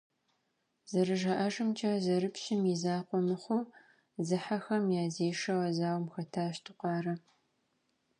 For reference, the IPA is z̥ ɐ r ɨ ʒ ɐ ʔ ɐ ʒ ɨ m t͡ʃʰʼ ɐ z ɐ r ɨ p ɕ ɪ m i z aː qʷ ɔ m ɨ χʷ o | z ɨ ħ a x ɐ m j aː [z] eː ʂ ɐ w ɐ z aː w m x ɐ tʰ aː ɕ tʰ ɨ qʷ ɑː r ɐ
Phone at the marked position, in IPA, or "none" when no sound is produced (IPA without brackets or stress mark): z